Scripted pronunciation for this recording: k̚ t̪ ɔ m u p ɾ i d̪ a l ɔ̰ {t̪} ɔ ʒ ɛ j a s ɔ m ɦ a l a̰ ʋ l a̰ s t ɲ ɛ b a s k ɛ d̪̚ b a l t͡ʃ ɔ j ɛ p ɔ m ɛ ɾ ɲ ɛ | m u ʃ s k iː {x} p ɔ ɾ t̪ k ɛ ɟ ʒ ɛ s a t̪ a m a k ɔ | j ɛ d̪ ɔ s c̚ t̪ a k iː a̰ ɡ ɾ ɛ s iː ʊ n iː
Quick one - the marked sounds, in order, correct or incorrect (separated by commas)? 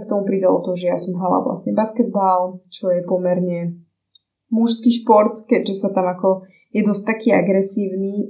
correct, incorrect